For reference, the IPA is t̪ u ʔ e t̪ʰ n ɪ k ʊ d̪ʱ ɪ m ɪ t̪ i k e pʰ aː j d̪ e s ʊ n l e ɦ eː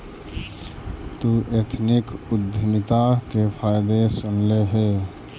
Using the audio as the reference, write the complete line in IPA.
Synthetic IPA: t̪ u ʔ e t̪ʰ n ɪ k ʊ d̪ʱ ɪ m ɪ t̪ a k e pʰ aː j d̪ e s ʊ n l e ɦ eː